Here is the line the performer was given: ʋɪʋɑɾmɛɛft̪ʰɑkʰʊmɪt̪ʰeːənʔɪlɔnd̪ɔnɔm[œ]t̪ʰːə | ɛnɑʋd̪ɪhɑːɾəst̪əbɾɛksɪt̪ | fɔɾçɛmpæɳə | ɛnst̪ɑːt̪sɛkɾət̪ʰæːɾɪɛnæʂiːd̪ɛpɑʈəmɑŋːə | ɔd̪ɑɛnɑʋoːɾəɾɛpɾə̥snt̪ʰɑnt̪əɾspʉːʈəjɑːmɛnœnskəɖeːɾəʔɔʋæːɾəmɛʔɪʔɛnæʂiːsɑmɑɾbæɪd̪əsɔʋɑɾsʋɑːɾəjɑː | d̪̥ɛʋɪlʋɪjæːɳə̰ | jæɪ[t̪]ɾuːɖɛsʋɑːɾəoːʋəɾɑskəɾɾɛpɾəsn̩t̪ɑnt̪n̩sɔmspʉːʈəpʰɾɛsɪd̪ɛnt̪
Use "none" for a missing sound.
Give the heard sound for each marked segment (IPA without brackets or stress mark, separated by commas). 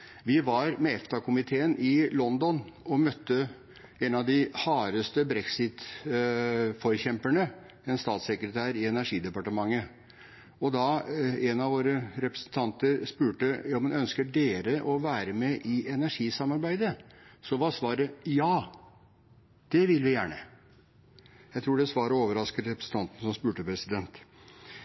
œ, t̪ʰ